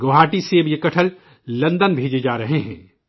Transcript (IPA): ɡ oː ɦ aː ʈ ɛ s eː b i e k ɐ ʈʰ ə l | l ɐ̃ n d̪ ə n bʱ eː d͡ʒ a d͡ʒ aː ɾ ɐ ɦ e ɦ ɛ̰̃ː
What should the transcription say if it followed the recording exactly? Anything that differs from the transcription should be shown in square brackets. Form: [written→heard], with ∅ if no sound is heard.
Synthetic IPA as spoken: ɡ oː ɦ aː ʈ [ɛ→i] s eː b [i→j] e k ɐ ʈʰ ə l | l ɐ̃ n d̪ ə n bʱ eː d͡ʒ [a→e] d͡ʒ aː ɾ ɐ ɦ e ɦ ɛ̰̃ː